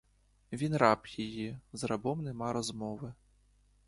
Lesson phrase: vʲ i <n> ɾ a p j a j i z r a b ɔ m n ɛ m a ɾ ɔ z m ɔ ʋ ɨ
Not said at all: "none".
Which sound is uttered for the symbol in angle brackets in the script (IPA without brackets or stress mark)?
n